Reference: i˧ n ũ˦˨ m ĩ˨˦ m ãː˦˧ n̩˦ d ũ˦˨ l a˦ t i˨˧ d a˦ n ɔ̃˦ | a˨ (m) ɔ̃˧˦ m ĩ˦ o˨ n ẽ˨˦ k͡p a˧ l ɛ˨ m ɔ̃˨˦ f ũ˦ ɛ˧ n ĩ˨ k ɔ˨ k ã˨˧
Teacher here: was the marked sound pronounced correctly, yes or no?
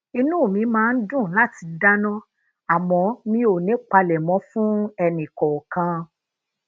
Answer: yes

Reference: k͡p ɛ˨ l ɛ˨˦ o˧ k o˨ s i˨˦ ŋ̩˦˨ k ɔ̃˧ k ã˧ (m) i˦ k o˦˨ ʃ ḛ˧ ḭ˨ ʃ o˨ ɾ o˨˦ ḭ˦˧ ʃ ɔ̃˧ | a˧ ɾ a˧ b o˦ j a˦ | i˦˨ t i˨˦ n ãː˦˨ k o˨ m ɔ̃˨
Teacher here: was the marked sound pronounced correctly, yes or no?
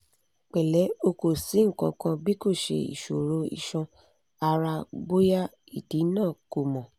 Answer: no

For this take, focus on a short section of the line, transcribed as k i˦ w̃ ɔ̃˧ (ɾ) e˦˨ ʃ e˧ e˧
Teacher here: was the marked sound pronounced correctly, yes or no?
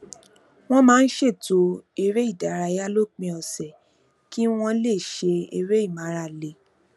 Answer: no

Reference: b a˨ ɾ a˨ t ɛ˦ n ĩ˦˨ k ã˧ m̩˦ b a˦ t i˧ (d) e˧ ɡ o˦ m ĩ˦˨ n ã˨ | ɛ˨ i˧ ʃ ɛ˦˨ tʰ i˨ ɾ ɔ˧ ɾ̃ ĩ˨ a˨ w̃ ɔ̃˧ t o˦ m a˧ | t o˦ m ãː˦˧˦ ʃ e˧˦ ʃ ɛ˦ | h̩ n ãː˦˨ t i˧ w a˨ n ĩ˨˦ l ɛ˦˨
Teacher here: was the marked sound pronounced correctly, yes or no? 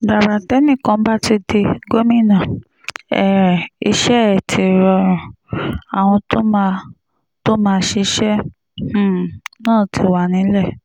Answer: yes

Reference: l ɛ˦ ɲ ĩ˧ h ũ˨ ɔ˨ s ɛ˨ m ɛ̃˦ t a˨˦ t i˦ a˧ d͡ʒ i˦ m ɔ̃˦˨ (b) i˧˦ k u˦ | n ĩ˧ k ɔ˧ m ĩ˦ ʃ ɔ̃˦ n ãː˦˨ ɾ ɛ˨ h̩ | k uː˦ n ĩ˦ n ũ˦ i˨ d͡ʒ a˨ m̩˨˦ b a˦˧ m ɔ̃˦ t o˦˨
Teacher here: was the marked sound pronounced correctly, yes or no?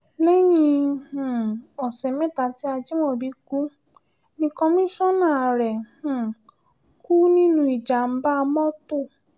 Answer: yes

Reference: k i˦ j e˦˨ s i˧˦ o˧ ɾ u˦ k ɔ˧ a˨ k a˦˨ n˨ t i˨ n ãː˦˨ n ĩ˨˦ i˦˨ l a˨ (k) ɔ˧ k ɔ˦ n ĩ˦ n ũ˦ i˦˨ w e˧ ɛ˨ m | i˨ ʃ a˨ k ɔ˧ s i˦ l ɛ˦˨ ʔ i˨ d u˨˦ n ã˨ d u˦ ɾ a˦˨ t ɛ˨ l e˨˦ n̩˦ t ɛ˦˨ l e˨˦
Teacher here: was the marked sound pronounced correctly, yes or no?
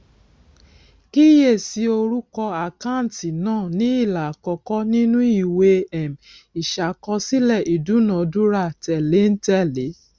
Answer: yes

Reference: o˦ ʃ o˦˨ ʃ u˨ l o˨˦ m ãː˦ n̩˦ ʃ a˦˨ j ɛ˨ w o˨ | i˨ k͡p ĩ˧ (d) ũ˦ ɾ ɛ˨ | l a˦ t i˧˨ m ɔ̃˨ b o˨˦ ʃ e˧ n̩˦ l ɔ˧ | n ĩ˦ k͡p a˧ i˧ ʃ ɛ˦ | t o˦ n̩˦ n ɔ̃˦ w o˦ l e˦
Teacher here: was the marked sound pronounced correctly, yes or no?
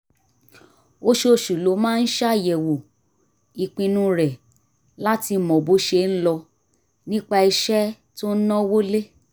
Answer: no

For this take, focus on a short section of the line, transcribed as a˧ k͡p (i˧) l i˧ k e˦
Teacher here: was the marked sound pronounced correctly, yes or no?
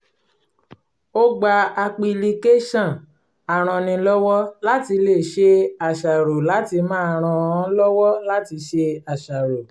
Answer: yes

